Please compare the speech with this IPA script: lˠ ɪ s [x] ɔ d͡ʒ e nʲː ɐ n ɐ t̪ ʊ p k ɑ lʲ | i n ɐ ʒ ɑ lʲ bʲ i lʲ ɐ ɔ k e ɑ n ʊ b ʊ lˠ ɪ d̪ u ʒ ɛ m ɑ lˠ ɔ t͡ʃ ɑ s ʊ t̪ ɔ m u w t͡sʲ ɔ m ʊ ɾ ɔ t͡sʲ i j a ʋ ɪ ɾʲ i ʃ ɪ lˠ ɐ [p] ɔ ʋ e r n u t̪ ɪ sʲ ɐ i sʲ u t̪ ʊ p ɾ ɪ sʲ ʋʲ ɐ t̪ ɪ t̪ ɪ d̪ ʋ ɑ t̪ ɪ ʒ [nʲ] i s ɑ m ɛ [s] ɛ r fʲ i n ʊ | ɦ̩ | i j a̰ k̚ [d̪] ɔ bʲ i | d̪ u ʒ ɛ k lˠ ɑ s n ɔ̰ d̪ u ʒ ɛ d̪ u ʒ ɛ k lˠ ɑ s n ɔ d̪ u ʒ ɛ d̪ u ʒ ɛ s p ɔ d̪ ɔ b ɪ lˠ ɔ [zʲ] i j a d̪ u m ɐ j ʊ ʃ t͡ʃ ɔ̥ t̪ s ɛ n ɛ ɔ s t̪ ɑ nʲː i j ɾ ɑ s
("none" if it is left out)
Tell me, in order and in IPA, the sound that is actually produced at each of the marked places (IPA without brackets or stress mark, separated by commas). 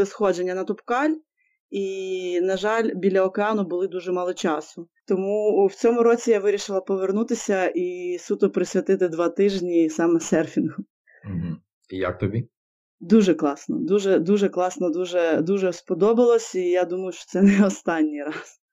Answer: x, p, nʲ, s, t̪, sʲ